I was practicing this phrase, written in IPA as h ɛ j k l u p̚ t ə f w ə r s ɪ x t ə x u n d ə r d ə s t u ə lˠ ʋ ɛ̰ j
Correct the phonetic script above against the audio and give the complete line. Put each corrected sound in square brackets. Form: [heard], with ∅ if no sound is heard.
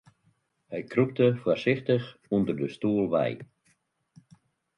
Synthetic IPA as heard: h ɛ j k [r] u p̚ t ə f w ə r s ɪ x t ə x u n d ə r d ə s t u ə lˠ ʋ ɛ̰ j